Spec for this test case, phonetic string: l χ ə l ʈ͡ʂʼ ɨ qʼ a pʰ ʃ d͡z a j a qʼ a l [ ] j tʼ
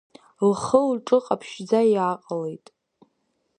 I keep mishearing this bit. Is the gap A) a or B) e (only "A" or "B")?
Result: B